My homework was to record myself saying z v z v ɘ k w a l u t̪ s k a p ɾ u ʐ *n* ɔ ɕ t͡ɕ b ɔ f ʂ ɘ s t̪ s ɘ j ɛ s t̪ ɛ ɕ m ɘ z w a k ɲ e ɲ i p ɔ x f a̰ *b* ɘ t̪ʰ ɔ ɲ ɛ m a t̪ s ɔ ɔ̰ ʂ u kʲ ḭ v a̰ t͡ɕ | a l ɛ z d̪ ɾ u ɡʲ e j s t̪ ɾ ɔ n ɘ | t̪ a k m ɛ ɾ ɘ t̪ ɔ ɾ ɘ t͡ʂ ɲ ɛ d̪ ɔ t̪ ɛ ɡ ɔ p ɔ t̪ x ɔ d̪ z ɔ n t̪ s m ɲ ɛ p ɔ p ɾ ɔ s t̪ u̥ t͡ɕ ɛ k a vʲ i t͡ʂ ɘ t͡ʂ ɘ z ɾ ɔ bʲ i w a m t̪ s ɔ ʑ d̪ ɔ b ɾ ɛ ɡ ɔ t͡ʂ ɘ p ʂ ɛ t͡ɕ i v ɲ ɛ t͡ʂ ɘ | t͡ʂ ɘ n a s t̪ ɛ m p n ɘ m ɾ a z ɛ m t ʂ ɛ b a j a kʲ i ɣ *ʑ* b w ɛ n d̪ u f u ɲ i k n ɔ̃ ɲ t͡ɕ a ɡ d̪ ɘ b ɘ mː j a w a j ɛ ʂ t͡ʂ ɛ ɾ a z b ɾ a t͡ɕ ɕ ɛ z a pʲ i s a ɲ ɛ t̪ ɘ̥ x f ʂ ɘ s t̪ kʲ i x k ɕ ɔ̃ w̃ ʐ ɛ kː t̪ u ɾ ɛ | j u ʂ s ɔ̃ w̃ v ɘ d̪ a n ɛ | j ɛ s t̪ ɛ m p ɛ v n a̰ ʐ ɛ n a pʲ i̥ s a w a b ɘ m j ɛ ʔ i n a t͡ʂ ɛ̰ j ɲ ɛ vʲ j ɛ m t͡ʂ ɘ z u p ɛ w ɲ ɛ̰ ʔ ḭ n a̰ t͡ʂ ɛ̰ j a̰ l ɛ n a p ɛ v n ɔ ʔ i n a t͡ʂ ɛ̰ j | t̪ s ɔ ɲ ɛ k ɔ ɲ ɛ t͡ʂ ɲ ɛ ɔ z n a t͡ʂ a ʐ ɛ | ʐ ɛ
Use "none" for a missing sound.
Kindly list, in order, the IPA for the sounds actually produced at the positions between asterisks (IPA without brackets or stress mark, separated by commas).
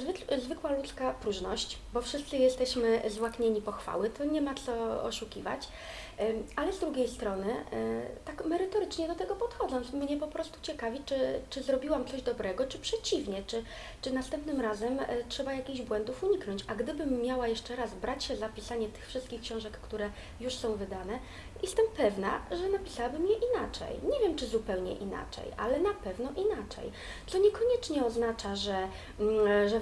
n, w, ʑ